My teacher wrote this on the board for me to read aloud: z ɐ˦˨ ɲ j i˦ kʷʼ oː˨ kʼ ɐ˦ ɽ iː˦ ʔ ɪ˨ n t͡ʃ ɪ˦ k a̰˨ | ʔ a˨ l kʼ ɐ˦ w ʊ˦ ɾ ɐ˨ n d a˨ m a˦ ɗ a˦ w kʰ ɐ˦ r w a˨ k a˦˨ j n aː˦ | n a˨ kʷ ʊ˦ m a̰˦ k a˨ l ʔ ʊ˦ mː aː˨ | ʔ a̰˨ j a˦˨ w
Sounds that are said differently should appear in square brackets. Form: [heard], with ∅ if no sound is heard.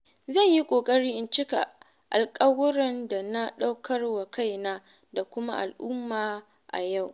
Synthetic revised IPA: z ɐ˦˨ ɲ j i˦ kʷʼ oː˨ kʼ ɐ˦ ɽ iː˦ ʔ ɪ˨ n t͡ʃ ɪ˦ k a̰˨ | ʔ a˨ l kʼ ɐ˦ w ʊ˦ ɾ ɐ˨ n d a˨ [n] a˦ ɗ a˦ w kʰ ɐ˦ r w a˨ k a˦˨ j n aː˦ | [d] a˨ kʷ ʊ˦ m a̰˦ [ʔ] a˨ l ʔ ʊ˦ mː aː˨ | ʔ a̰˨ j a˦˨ w

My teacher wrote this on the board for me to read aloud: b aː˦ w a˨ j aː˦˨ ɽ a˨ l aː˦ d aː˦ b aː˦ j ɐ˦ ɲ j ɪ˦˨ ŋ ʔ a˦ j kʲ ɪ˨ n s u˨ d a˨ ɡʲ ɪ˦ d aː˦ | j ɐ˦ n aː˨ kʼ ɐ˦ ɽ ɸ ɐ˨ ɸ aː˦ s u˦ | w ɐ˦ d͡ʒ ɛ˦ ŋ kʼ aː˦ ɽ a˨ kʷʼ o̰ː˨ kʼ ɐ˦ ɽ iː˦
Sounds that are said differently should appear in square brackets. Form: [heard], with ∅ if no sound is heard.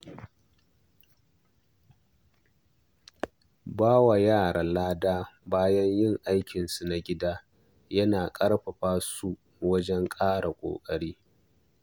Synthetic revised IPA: b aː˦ w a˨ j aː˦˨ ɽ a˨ l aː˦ d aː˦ b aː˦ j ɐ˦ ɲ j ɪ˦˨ ŋ ʔ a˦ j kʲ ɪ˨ n s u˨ [n] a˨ ɡʲ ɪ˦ d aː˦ | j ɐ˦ n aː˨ kʼ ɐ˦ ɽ ɸ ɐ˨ ɸ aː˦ s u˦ | w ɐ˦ d͡ʒ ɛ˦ ŋ kʼ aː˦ ɽ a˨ kʷʼ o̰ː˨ kʼ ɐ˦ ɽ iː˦

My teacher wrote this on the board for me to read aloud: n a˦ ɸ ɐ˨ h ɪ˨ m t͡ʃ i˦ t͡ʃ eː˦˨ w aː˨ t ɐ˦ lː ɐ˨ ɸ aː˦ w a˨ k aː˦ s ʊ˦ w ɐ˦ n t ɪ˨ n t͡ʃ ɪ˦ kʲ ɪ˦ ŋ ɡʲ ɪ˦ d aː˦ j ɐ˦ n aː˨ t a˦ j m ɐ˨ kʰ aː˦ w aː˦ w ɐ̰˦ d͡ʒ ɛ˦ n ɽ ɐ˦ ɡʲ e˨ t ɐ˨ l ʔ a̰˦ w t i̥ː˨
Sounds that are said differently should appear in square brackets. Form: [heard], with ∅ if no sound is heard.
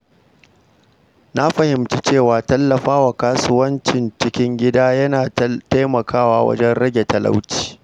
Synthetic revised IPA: n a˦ ɸ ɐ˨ h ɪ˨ m t͡ʃ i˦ t͡ʃ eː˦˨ w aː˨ t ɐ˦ lː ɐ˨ ɸ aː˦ w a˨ k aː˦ s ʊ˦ w ɐ˦ n [t͡ʃ] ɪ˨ n t͡ʃ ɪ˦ kʲ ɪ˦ ŋ ɡʲ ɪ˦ d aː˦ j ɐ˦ n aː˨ t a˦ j m ɐ˨ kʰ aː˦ w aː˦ w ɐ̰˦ d͡ʒ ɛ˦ n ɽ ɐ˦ ɡʲ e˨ t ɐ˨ l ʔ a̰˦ w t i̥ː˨

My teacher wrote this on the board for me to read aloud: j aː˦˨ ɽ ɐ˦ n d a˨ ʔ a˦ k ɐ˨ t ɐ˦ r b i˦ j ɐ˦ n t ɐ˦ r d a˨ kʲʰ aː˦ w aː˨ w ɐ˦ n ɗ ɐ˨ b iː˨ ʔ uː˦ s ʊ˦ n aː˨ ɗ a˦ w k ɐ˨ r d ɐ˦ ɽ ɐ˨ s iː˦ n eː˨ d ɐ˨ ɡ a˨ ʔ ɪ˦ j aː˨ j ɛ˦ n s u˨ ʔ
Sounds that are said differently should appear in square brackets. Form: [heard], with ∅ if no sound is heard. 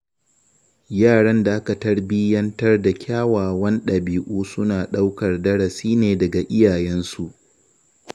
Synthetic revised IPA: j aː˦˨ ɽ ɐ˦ n d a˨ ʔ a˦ k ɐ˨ t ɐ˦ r b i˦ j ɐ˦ n t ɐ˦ r d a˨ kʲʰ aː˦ w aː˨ w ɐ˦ n ɗ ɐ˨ b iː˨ ʔ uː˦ s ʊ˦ n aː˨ ɗ a˦ w k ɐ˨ r d ɐ˦ ɽ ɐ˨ s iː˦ n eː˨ d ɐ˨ ɡ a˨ ʔ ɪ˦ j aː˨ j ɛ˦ n s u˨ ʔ

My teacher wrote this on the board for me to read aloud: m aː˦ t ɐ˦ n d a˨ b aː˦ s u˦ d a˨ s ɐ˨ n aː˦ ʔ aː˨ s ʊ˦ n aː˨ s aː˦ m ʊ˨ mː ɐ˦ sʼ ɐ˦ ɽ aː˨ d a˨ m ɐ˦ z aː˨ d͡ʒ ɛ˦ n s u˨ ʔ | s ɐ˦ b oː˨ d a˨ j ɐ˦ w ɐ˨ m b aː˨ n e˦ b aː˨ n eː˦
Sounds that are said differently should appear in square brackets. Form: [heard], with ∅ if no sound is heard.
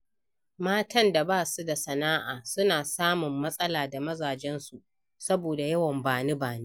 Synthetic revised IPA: m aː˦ t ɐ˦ n d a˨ b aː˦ s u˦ d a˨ s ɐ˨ n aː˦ ʔ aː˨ s ʊ˦ n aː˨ s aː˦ m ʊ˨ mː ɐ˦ sʼ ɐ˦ [l] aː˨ d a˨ m ɐ˦ z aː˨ d͡ʒ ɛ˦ n s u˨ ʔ | s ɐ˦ b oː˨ d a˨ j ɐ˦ w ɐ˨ m b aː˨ n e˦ b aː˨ n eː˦

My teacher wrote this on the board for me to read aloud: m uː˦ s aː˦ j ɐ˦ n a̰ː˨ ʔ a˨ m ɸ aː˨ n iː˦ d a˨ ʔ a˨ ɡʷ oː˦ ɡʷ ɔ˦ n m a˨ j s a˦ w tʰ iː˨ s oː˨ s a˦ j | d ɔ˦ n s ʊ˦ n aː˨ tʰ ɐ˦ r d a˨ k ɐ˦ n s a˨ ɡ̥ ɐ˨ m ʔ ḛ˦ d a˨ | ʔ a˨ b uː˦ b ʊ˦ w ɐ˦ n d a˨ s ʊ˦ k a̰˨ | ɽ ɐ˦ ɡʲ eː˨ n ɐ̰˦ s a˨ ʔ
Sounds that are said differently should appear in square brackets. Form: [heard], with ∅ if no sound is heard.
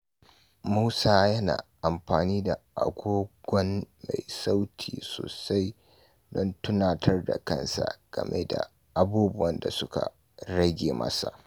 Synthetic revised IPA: m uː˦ s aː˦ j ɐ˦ n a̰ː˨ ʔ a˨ m ɸ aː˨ n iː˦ d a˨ ʔ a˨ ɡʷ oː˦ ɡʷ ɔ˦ n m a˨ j s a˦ w tʰ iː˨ s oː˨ s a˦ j | d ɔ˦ n [t] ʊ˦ n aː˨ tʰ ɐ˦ r d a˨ k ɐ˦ n s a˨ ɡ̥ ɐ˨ m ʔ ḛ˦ d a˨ | ʔ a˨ b uː˦ b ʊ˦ w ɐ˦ n d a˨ s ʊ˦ k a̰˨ | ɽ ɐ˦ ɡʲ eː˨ [m] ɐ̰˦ s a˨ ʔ

